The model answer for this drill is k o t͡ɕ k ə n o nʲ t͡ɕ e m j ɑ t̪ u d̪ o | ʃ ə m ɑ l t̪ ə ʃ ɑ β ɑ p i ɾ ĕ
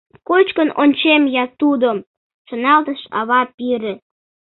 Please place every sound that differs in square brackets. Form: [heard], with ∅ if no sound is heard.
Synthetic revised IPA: k o t͡ɕ k ə n o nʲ t͡ɕ e m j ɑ t̪ u d̪ o | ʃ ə [n] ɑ l t̪ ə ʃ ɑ β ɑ p i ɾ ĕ